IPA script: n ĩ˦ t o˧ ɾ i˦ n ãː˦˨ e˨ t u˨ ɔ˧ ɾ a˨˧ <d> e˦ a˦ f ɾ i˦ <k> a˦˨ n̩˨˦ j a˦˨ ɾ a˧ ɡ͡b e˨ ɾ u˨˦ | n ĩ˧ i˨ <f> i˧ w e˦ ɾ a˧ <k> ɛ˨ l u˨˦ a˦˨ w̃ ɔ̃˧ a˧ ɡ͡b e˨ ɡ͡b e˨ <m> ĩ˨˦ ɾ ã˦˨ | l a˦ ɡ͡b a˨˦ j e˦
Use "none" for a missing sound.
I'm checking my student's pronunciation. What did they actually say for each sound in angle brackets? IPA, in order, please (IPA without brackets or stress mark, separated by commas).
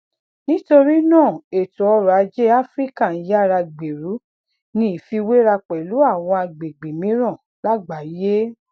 d͡ʒ, k, f, k͡p, m